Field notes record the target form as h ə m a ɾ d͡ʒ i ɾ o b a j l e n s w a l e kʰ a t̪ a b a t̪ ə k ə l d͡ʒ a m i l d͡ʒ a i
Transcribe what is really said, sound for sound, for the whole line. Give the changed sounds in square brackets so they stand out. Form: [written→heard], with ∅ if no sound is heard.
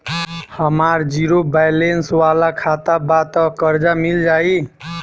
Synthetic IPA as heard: h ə m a ɾ d͡ʒ i ɾ o b a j l e n s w a l [e→a] kʰ a t̪ a b a t̪ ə k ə [l→ɾ] d͡ʒ a m i l d͡ʒ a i

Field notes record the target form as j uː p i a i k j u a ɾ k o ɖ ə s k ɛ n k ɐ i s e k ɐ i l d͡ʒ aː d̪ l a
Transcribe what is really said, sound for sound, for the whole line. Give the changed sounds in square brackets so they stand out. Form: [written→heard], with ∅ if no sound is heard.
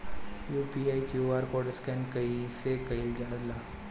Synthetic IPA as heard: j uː p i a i k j u a ɾ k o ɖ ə s k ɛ n k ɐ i s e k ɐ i l d͡ʒ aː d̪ l a

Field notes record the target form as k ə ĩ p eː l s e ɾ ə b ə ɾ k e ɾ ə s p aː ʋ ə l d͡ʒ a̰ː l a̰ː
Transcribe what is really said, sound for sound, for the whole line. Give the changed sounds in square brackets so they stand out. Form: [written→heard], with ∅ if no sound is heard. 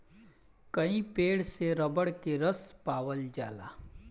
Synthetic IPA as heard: k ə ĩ p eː [l→ɽ] s e ɾ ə b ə [ɾ→ɽ] k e ɾ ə s p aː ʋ ə l d͡ʒ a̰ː l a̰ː

